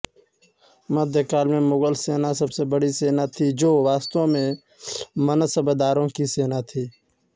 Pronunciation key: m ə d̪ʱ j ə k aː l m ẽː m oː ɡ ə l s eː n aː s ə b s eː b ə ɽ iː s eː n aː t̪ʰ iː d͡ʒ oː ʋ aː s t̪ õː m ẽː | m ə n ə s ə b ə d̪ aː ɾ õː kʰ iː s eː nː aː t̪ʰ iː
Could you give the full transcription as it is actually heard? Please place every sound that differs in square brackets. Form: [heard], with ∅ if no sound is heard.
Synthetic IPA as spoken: m ə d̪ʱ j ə k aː l m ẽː m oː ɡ ə l s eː n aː s ə b s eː b ə ɽ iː s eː n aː t̪ʰ iː d͡ʒ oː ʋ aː s t̪ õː m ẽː | m ə n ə s ə b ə d̪ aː ɾ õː [k] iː s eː [n] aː t̪ʰ iː